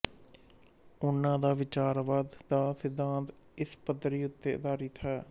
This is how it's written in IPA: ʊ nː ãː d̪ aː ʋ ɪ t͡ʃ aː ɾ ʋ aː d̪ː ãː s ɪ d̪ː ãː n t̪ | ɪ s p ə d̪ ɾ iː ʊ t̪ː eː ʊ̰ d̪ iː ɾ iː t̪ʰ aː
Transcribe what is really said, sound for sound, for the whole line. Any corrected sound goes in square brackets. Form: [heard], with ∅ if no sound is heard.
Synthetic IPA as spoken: ʊ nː ãː d̪ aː ʋ ɪ t͡ʃ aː ɾ ʋ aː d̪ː [aː] s ɪ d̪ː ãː n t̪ | ɪ s p ə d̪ ɾ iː ʊ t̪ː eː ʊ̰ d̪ [aː] ɾ iː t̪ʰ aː